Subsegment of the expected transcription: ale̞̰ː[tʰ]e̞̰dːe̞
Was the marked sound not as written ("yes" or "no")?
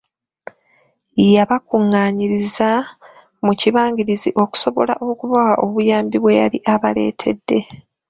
no